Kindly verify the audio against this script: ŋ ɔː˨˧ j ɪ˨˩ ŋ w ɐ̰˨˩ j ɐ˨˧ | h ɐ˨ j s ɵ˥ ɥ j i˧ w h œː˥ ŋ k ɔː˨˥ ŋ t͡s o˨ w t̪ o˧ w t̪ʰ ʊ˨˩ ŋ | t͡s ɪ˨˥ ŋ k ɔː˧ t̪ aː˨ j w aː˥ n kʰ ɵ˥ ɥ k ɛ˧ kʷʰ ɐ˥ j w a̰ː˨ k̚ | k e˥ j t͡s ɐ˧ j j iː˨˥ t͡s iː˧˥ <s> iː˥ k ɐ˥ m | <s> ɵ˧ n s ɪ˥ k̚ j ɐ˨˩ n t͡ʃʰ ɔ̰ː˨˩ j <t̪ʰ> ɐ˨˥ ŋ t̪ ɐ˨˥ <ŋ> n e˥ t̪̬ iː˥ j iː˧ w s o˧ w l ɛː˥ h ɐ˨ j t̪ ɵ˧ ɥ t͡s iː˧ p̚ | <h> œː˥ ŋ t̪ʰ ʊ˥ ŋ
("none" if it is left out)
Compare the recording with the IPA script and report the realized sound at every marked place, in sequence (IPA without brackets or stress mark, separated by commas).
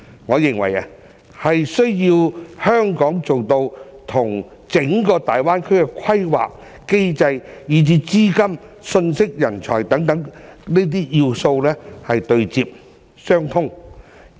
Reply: t͡s, s, t̪, ŋ, s